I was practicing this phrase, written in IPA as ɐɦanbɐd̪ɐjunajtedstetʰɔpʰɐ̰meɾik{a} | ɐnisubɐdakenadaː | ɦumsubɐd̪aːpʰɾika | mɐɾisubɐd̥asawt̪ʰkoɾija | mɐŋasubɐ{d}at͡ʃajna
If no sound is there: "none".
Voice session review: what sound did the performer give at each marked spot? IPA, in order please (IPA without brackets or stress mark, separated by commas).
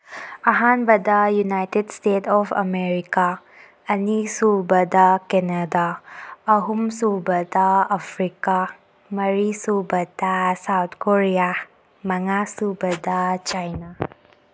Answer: a, d